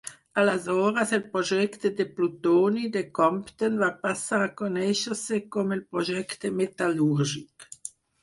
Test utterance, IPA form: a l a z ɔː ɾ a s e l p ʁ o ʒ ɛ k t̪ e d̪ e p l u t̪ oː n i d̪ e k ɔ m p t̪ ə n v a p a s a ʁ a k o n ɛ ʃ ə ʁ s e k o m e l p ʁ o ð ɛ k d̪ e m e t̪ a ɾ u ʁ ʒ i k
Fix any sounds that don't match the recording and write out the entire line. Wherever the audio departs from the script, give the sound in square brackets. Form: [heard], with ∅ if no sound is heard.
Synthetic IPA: a l a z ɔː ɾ a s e l p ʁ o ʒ ɛ k t̪ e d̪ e p l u t̪ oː n i d̪ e k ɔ m p t̪ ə n v a p a s a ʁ a k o n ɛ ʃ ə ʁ s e k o m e l p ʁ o [ʒ] ɛ k [t̪] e m e t̪ a [l] u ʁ ʒ i k